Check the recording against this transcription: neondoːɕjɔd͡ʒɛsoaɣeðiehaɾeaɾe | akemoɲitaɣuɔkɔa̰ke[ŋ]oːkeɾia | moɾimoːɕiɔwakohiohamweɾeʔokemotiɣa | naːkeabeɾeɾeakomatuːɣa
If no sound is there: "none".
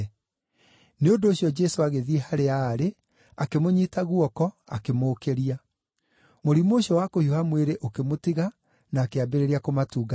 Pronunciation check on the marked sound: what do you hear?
m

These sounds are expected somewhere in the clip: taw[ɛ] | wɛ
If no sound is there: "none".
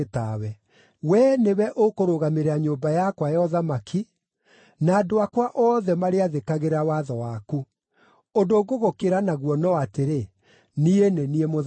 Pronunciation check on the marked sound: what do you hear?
ɛ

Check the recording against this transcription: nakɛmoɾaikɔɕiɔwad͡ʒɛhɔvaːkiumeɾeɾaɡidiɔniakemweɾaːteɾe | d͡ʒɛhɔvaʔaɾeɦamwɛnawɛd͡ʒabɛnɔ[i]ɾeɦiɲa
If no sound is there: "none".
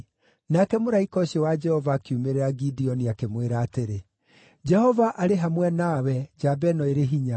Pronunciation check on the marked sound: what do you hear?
e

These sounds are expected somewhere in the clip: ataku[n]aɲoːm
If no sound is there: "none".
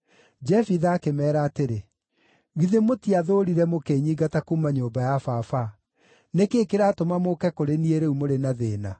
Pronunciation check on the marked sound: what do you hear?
m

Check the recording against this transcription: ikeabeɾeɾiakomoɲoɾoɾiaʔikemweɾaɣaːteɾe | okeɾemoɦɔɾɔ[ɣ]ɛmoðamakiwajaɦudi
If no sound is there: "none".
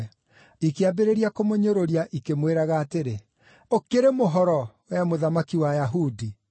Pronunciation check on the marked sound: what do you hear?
w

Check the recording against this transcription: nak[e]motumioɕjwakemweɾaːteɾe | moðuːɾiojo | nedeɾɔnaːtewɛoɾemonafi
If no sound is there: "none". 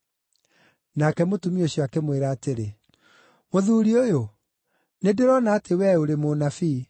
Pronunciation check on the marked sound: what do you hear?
ɛ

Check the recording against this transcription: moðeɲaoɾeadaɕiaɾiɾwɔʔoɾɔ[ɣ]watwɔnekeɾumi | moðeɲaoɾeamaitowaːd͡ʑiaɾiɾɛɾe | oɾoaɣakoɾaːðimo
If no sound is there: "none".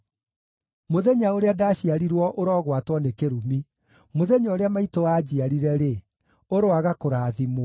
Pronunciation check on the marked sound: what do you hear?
ɣ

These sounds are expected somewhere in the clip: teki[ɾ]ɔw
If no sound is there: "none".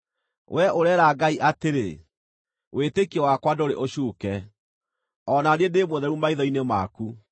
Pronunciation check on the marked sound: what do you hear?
none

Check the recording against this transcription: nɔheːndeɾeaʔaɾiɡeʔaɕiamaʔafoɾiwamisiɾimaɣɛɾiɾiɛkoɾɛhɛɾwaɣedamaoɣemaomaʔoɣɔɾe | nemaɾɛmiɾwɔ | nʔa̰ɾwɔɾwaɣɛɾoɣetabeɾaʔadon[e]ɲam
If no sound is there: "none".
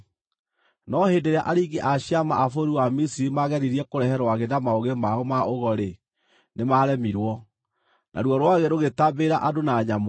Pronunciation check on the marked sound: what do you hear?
a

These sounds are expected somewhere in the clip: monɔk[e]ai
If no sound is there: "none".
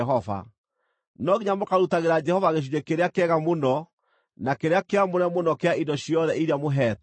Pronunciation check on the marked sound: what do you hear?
e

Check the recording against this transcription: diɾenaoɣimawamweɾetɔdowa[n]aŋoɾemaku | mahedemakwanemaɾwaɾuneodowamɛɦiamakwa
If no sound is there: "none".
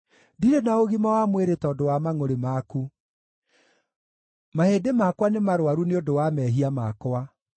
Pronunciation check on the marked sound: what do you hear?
m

